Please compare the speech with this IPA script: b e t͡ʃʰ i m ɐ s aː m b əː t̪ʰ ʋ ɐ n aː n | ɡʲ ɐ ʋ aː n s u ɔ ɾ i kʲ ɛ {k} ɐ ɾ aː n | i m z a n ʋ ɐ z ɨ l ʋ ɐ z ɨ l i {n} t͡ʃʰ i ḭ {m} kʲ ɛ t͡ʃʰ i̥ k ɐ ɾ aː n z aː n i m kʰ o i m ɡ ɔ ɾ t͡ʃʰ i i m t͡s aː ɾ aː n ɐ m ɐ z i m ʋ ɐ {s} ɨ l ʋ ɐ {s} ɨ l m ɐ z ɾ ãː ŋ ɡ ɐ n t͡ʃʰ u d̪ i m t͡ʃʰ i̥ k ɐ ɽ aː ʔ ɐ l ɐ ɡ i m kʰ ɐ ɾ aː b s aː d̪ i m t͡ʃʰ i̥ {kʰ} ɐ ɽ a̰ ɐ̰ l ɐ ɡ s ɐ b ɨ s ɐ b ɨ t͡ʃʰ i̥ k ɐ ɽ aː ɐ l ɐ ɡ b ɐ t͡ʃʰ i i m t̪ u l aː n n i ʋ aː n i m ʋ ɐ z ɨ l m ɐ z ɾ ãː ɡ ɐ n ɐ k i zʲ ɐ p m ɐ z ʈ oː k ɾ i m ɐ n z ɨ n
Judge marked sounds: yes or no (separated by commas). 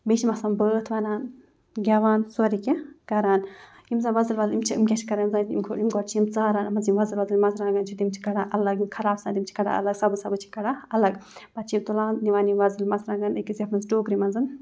yes, no, yes, no, no, no